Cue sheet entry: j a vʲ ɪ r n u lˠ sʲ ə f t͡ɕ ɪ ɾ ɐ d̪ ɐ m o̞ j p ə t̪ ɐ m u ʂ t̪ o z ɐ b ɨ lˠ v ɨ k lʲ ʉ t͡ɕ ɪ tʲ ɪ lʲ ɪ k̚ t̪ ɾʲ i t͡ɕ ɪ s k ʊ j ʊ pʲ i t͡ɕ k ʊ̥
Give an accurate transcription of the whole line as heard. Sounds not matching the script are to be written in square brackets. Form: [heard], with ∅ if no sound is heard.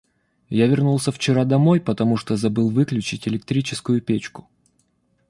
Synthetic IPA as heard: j a vʲ ɪ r n u lˠ sʲ ə f t͡ɕ ɪ ɾ [a] d̪ ɐ m o̞ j p ə t̪ ɐ m u ʂ t̪ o z ɐ b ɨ lˠ v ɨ k lʲ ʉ t͡ɕ ɪ tʲ ɪ lʲ ɪ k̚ t̪ ɾʲ i t͡ɕ ɪ s k ʊ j ʊ pʲ [e] t͡ɕ k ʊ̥